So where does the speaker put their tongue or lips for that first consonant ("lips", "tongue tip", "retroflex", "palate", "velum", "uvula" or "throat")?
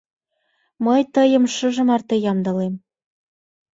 lips